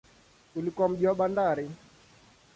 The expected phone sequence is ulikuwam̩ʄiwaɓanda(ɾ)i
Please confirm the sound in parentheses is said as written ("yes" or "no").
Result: yes